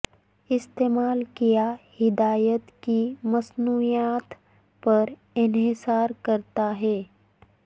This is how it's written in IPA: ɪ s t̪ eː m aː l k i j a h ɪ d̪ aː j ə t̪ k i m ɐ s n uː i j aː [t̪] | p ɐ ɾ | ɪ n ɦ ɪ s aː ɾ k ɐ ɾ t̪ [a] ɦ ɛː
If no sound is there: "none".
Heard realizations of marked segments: t̪, a

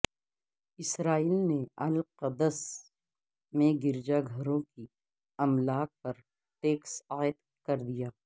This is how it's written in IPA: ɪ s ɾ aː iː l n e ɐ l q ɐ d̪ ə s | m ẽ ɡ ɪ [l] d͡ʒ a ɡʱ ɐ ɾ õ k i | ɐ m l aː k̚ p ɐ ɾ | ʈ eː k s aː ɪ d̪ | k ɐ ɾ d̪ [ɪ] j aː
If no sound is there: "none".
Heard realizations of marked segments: ɾ, i

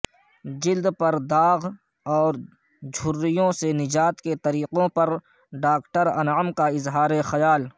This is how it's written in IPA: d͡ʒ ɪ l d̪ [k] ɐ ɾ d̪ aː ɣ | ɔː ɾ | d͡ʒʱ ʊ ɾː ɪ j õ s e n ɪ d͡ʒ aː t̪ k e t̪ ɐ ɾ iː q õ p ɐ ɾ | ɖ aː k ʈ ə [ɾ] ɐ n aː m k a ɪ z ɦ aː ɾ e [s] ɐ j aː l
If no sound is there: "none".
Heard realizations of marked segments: p, ɾ, x

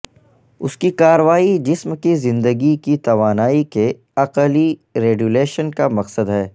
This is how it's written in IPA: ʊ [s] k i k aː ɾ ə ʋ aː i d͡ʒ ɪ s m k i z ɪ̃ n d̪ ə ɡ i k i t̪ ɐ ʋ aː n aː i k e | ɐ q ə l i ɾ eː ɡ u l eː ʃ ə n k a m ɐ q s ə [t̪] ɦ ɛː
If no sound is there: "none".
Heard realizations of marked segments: s, d̪

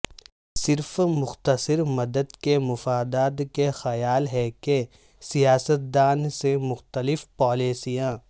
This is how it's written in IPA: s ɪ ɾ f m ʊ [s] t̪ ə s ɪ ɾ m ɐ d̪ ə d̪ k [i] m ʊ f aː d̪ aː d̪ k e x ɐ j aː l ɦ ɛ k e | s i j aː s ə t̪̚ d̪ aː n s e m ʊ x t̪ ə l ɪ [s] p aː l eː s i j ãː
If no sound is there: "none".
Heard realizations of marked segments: x, e, f

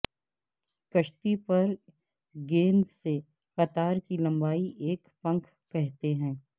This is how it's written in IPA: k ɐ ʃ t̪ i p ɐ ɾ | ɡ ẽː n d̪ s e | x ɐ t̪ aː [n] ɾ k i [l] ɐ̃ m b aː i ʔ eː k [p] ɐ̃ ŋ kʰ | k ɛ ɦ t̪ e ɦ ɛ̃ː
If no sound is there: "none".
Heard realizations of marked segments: none, l, p

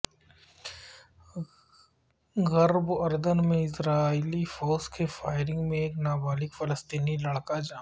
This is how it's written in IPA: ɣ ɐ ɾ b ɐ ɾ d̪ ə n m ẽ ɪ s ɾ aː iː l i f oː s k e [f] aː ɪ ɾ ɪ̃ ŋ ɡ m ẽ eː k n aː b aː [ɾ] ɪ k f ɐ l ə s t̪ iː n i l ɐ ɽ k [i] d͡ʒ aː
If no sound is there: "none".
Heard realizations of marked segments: f, l, a

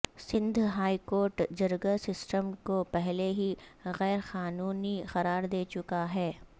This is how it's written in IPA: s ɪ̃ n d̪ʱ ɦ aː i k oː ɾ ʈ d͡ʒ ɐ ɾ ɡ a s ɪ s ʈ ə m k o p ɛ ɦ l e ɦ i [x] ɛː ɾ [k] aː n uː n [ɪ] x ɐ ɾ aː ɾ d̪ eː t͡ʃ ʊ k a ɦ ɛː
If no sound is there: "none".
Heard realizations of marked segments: ɣ, x, i

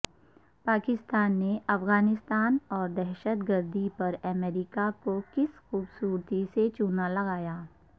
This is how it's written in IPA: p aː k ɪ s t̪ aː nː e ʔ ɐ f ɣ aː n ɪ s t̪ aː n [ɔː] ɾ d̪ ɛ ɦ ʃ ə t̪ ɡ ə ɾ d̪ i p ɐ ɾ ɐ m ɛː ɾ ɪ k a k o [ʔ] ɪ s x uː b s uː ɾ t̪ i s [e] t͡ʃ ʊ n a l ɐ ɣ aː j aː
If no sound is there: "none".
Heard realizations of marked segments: ɔː, k, e

